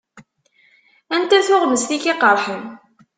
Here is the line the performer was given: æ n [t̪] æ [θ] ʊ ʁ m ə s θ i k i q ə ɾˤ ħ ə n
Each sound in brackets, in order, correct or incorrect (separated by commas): correct, correct